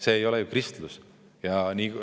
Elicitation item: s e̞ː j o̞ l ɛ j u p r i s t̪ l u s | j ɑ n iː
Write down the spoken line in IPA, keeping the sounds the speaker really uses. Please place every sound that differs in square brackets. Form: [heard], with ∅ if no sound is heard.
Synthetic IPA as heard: s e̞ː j o̞ l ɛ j u [k] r i s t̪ l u s | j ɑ n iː